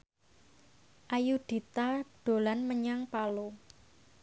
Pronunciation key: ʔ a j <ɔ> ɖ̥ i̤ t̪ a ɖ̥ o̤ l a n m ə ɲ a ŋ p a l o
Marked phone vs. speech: incorrect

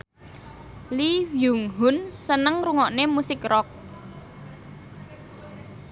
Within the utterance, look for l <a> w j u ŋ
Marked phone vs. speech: incorrect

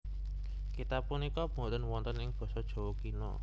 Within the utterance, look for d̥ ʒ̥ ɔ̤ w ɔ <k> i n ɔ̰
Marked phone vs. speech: correct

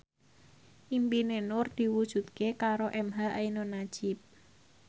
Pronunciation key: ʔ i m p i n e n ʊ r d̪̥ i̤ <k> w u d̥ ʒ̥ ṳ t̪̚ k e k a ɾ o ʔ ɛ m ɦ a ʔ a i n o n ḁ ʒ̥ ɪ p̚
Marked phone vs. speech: incorrect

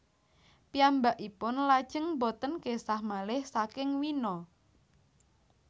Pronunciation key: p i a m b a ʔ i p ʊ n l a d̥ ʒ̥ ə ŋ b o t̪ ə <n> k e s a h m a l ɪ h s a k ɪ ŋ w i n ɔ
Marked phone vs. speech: correct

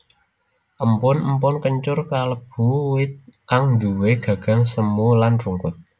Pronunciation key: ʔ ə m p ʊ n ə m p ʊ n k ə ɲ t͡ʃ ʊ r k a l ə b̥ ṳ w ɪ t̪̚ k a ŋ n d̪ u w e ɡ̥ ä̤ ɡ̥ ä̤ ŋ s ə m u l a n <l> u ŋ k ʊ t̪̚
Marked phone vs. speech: incorrect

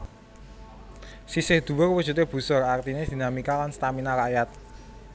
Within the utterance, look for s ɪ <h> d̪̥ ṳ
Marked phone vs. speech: correct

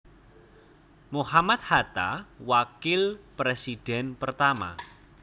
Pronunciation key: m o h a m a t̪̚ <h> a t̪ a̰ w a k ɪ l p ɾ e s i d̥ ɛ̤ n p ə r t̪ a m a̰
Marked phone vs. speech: correct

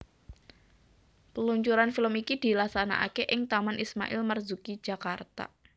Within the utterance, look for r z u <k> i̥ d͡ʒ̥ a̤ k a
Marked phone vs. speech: correct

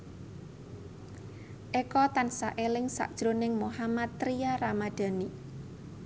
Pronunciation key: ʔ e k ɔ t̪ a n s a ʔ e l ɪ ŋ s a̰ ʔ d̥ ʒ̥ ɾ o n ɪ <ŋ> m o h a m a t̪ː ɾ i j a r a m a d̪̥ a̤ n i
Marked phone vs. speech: correct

